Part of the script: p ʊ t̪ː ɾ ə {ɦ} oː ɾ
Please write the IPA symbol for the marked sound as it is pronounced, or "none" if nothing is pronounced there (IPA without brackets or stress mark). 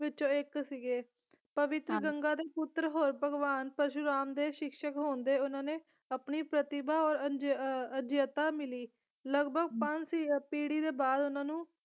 ɦ